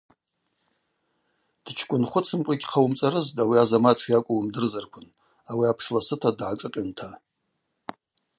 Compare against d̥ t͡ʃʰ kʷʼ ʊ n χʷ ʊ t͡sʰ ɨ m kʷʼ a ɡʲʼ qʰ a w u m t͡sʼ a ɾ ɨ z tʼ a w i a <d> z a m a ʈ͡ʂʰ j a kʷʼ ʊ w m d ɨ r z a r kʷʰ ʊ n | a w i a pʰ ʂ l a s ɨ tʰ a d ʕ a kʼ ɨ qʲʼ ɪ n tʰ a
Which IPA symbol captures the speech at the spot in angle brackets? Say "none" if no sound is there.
none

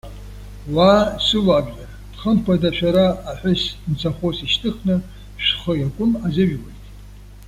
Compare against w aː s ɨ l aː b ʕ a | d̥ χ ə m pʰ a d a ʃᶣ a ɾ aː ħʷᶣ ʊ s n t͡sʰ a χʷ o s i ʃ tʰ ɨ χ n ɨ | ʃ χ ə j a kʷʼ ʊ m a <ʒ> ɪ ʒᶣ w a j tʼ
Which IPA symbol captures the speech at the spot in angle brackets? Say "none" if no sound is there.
z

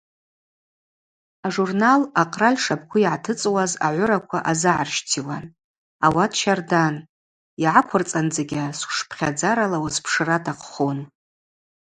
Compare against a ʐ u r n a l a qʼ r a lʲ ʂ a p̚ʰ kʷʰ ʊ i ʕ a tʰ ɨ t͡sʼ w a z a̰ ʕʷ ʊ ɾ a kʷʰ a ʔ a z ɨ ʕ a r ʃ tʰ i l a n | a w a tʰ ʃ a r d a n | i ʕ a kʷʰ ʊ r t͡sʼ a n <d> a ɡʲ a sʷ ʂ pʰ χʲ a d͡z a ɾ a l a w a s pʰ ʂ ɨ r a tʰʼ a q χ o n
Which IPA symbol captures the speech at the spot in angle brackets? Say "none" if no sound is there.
d͡z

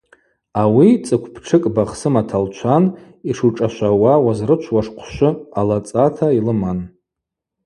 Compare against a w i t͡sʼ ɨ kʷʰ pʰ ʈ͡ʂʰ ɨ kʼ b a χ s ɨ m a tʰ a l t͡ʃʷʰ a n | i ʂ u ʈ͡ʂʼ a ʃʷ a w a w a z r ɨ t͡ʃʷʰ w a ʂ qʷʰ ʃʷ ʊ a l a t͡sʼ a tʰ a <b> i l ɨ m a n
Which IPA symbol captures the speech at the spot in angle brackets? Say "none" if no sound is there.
none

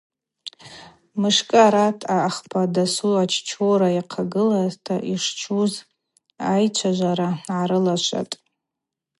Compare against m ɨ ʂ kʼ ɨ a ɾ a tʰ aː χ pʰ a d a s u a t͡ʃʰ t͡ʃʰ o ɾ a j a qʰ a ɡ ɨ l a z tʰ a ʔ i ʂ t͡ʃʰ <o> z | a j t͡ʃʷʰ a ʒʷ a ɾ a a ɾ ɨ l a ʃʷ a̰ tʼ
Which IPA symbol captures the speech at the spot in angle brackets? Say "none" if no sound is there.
u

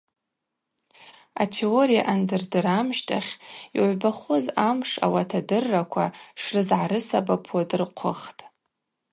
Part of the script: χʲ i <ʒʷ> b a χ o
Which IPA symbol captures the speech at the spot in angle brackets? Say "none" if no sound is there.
ʕʷ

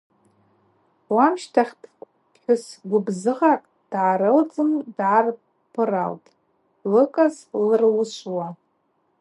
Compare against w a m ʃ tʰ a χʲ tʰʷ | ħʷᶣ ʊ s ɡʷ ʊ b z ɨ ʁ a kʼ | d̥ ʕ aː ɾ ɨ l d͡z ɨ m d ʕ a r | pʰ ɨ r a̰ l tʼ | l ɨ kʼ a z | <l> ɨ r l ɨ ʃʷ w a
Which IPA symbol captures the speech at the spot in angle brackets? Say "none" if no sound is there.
l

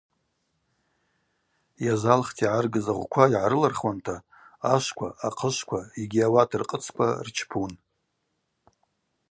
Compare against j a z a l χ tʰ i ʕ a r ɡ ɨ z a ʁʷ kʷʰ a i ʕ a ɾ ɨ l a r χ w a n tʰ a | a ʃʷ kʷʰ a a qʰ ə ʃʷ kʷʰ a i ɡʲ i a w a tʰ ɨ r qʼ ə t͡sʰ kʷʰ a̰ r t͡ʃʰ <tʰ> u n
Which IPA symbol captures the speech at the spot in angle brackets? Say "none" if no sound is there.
pʰ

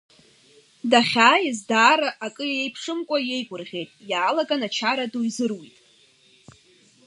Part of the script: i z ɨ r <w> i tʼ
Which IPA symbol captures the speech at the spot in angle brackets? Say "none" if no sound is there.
w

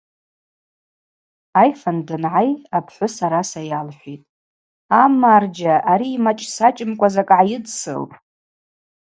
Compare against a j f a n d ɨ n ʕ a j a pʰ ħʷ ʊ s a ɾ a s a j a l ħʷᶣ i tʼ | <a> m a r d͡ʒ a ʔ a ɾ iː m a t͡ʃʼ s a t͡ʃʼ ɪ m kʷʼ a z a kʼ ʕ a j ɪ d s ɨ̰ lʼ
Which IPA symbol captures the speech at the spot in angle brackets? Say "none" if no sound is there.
a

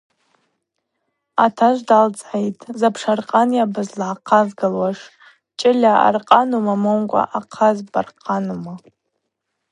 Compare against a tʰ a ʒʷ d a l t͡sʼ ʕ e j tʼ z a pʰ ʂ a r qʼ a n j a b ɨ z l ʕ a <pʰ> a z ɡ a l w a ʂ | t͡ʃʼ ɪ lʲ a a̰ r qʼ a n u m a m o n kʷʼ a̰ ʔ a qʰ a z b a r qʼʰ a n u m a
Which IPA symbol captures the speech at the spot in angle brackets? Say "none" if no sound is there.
qʰ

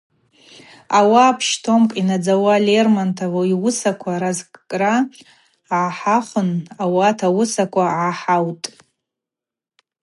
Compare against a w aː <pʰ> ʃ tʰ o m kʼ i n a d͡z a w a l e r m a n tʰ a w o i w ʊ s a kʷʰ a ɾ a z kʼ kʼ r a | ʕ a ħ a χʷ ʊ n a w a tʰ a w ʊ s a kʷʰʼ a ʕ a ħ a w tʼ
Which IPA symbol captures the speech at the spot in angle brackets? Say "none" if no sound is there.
pʰ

